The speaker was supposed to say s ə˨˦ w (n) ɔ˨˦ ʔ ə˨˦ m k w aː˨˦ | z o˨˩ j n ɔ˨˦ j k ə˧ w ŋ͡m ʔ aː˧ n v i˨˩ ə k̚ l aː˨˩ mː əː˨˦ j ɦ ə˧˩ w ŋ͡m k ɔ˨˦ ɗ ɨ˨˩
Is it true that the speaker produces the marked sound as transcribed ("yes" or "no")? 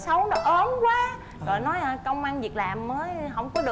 yes